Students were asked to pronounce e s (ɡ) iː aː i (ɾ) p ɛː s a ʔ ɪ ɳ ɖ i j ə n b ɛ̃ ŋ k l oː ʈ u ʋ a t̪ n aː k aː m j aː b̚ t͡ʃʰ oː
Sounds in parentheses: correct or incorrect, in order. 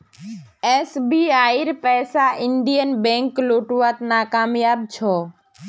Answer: incorrect: b, correct

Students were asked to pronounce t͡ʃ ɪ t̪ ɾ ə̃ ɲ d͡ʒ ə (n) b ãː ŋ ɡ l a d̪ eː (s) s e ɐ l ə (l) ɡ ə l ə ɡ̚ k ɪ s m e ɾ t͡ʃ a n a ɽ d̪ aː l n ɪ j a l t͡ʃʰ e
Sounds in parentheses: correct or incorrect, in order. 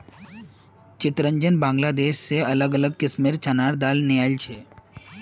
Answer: correct, incorrect: ʃ, incorrect: none

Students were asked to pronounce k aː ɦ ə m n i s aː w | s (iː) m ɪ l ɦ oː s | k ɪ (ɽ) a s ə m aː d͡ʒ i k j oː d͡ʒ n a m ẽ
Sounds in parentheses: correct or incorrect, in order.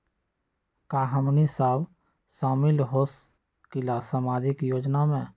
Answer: incorrect: aː, incorrect: l

